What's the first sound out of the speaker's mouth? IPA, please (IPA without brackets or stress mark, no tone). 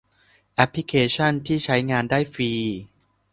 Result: ʔ